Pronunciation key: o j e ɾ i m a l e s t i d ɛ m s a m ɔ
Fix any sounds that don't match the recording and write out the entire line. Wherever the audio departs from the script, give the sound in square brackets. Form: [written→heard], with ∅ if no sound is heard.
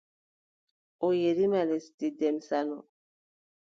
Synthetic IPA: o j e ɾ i m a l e s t i d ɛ m s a [m→n] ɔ